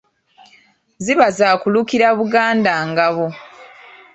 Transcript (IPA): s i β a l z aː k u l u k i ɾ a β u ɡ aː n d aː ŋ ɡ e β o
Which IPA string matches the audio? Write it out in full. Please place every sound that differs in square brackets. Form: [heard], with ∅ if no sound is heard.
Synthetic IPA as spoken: [z] i β a [∅] z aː k u l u k i ɾ a β u ɡ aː n d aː ŋ ɡ [a] β o